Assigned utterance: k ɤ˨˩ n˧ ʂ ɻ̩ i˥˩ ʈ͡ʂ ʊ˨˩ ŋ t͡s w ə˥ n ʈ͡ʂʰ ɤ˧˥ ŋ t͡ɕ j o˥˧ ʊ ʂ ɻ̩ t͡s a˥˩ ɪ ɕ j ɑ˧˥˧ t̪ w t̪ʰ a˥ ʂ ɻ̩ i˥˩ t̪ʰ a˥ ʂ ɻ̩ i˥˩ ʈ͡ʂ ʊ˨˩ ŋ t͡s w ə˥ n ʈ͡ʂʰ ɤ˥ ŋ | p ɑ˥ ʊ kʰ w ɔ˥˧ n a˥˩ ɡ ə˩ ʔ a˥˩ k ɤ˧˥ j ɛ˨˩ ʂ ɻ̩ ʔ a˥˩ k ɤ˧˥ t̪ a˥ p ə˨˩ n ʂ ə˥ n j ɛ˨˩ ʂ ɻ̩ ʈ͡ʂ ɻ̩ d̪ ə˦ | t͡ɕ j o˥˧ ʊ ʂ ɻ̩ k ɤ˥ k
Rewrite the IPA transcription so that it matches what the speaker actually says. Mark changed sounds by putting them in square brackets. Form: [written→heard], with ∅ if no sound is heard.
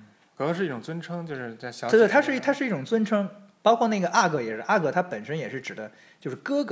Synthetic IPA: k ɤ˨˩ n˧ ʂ ɻ̩ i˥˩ ʈ͡ʂ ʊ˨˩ ŋ t͡s w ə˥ n ʈ͡ʂʰ [ɤ˧˥→ɤ˥] ŋ t͡ɕ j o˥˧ ʊ ʂ ɻ̩ t͡s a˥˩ ɪ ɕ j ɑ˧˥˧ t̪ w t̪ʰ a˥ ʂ ɻ̩ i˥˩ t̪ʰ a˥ ʂ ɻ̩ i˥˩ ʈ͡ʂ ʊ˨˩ ŋ t͡s w ə˥ n ʈ͡ʂʰ ɤ˥ ŋ | p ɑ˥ ʊ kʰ w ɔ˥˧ n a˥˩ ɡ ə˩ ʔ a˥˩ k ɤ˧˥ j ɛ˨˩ ʂ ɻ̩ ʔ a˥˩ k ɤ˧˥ [t̪→t̪ʰ] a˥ p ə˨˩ n ʂ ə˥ n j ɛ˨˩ ʂ ɻ̩ ʈ͡ʂ ɻ̩ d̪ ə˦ | t͡ɕ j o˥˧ ʊ ʂ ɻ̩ k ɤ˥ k